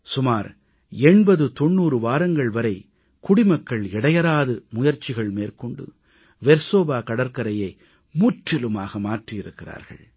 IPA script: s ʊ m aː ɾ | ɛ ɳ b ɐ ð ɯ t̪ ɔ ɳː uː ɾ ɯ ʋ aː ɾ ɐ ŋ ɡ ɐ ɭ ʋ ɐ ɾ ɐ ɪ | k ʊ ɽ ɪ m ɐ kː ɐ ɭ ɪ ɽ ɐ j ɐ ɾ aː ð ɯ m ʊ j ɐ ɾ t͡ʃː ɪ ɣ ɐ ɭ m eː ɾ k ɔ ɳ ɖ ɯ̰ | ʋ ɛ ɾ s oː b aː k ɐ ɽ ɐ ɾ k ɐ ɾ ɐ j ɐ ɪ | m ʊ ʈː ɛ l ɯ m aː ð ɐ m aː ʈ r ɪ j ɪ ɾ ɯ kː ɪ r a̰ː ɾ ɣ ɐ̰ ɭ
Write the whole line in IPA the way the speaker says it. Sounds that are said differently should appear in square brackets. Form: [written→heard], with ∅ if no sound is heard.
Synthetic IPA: s ʊ m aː ɾ | ɛ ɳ b ɐ ð ɯ t̪ ɔ ɳː uː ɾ ɯ ʋ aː ɾ ɐ ŋ ɡ ɐ ɭ ʋ ɐ ɾ ɐ ɪ | k ʊ ɽ ɪ m ɐ kː ɐ ɭ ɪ ɽ ɐ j ɐ ɾ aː ð ɯ m ʊ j ɐ ɾ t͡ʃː ɪ ɣ ɐ ɭ m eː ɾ k ɔ ɳ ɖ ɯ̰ | ʋ ɛ ɾ s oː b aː k ɐ ɽ ɐ ɾ k ɐ ɾ ɐ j ɐ ɪ | m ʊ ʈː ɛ l ɯ m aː [ð→ɣ] ɐ m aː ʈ r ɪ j ɪ ɾ ɯ kː ɪ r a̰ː ɾ ɣ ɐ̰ ɭ

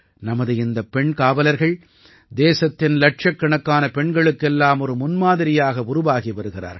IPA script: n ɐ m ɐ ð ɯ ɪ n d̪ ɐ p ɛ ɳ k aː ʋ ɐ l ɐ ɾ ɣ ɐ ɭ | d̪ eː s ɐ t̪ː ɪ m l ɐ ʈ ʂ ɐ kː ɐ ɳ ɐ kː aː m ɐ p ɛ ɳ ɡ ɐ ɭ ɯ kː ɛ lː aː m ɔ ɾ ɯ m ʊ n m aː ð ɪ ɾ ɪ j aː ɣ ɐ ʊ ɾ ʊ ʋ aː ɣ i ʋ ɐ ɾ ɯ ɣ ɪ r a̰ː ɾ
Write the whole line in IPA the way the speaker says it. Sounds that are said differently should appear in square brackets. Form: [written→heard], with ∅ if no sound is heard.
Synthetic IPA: n ɐ m ɐ ð ɯ ɪ n d̪ ɐ p ɛ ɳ k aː ʋ ɐ l ɐ ɾ ɣ ɐ ɭ | d̪ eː s ɐ t̪ː ɪ [m→n] l ɐ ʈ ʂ ɐ kː ɐ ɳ ɐ kː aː [m→n] ɐ p ɛ ɳ ɡ ɐ ɭ ɯ kː ɛ lː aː m ɔ ɾ ɯ m ʊ n m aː ð ɪ ɾ ɪ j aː ɣ ɐ ʊ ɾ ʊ ʋ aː ɣ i ʋ ɐ ɾ ɯ ɣ ɪ r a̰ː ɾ

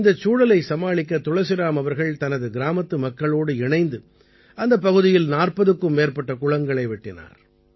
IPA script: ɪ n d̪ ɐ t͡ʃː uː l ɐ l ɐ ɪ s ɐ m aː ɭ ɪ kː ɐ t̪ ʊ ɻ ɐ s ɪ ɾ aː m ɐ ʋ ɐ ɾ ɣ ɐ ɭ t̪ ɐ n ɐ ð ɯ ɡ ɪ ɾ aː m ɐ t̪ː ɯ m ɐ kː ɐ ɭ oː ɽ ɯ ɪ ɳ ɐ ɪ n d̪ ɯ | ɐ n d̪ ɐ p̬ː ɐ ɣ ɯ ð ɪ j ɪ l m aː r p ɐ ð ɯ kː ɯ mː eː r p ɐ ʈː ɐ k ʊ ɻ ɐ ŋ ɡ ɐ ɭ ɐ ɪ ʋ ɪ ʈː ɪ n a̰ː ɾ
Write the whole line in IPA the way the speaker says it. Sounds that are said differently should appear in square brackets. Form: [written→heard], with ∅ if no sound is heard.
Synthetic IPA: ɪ n d̪ ɐ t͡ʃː uː [l→ɽ] ɐ l ɐ ɪ s ɐ m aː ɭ ɪ kː ɐ t̪ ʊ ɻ ɐ s ɪ ɾ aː m ɐ ʋ ɐ ɾ ɣ ɐ ɭ t̪ ɐ n ɐ ð ɯ ɡ ɪ ɾ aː m ɐ t̪ː ɯ m ɐ kː ɐ ɭ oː ɽ ɯ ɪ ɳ ɐ ɪ n d̪ ɯ | ɐ n d̪ ɐ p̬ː ɐ ɣ ɯ ð ɪ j ɪ l [m→n] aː r p ɐ ð ɯ kː ɯ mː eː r p ɐ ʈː ɐ k ʊ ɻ ɐ ŋ ɡ ɐ ɭ ɐ ɪ ʋ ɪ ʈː ɪ n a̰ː ɾ

